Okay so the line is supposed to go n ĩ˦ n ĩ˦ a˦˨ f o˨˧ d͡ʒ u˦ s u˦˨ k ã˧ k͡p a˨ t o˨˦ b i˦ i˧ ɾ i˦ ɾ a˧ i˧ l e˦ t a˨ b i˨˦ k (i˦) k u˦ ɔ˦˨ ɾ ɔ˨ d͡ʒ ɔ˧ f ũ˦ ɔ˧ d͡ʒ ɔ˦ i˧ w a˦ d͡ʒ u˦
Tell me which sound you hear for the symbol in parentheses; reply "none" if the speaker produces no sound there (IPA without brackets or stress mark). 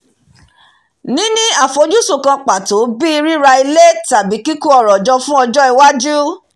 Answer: i˦